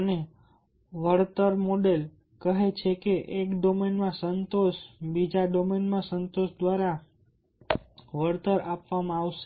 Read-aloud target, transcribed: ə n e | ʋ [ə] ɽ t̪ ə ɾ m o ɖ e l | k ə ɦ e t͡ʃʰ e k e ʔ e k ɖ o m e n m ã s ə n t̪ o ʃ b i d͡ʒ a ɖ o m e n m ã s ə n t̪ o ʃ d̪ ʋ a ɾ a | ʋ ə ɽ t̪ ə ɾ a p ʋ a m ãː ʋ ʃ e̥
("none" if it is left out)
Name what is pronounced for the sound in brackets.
ə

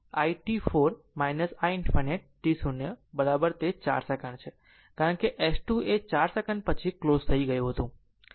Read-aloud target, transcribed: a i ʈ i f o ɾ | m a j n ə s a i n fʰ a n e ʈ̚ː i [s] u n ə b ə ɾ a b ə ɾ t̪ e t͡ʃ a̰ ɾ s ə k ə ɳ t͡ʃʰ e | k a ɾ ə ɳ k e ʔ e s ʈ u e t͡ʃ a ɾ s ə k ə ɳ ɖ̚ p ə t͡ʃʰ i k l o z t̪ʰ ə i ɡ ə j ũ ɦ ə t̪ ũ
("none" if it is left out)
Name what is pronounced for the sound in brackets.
s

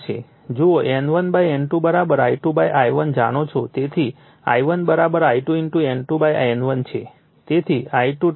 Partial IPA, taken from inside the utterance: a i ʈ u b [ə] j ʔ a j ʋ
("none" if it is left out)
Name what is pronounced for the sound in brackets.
a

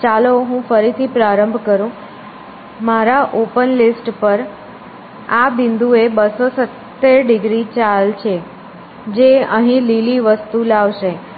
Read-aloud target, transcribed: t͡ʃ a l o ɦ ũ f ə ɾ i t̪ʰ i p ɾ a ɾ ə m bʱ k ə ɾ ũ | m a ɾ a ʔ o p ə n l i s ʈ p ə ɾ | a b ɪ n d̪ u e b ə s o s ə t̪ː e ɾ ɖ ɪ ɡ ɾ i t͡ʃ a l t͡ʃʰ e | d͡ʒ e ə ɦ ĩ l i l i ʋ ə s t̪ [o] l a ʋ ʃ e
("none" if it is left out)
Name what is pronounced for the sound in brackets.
u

